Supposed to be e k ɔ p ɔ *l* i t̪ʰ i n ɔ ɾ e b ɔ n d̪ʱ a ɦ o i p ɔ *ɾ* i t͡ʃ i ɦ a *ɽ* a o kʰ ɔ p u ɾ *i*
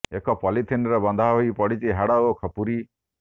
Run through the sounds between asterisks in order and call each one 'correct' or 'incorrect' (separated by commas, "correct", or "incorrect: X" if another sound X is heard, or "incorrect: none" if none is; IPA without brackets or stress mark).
correct, incorrect: ɽ, correct, correct